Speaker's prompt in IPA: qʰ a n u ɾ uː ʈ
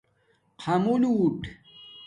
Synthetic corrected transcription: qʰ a m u l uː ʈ